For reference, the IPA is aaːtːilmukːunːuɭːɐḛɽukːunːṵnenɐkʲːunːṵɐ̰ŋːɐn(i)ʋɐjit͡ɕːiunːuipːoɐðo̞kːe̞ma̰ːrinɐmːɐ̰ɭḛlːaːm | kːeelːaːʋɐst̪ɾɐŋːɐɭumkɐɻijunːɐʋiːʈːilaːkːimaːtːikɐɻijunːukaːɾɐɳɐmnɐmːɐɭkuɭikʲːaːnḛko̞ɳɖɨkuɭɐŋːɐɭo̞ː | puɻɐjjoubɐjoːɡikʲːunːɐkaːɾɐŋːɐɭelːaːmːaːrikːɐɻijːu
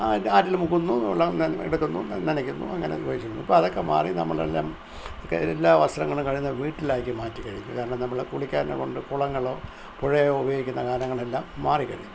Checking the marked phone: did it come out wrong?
yes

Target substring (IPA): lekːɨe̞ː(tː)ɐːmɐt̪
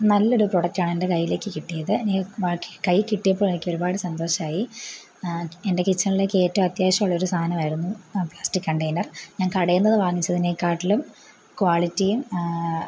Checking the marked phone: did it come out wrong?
no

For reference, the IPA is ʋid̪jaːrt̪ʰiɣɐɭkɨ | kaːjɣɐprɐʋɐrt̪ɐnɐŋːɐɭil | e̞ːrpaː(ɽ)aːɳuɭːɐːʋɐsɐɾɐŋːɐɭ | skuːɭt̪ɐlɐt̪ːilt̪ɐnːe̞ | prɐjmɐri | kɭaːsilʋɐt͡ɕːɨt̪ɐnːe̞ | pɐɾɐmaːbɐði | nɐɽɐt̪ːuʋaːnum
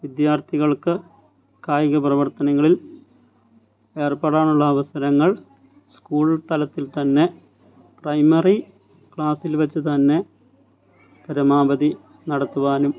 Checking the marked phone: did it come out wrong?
no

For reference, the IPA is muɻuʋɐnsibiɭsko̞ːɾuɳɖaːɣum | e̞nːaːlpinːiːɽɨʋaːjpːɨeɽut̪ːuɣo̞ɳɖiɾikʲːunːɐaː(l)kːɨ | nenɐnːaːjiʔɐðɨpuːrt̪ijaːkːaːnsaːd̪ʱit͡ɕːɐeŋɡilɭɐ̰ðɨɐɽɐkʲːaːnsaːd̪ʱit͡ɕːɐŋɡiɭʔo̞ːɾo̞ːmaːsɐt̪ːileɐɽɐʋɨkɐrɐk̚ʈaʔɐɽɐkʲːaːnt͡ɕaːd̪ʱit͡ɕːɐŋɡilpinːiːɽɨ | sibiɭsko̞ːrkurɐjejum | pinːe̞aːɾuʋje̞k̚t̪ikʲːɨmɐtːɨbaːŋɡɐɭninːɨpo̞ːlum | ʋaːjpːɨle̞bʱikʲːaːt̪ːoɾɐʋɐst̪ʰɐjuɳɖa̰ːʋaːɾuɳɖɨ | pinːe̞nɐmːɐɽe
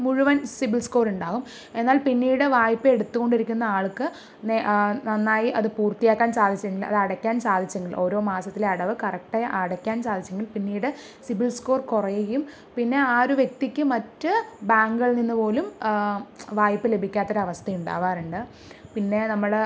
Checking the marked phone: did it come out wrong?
yes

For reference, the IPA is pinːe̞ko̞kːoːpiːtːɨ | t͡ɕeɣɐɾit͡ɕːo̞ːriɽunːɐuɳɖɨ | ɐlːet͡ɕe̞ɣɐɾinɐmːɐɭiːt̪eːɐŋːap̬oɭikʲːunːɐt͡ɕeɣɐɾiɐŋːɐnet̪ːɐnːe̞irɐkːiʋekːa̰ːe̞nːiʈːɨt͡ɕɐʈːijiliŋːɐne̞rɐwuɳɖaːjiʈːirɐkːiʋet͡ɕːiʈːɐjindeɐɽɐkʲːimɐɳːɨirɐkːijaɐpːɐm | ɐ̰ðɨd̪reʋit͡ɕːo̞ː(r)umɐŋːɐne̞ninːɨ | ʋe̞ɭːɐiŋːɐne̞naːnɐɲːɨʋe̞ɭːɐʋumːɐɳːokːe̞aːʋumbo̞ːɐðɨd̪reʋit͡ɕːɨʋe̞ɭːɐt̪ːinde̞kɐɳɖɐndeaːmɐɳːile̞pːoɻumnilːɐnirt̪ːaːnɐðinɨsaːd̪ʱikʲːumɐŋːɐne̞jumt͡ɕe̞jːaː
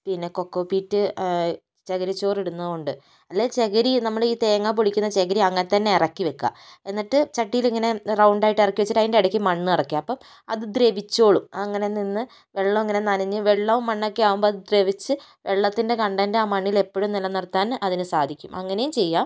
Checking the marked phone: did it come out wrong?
yes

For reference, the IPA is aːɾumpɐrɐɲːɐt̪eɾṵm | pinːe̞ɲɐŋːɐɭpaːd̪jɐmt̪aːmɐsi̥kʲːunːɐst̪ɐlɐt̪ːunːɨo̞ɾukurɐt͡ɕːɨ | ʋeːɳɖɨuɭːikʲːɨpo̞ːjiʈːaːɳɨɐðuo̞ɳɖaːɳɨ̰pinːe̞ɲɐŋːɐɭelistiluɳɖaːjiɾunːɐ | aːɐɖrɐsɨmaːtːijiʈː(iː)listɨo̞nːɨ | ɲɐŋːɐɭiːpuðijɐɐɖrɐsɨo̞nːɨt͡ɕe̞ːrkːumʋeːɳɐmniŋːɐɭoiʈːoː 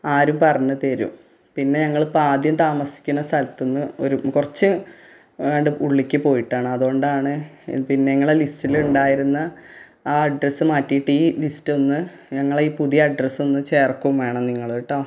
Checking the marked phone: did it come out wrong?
no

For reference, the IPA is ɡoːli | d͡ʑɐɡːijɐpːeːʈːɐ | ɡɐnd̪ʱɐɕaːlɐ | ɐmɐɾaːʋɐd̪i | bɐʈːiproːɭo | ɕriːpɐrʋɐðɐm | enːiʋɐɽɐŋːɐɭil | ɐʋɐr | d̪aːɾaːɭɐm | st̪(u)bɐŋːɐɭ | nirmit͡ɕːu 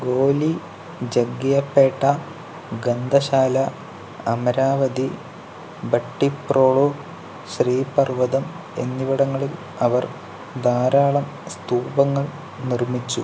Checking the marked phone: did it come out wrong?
yes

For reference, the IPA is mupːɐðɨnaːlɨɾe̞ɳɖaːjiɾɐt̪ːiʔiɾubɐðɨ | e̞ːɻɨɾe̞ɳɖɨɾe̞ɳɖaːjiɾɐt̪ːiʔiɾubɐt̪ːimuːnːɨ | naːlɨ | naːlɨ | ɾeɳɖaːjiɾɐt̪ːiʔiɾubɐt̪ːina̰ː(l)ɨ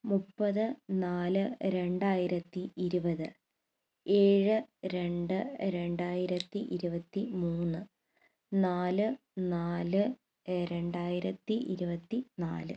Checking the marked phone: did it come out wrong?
no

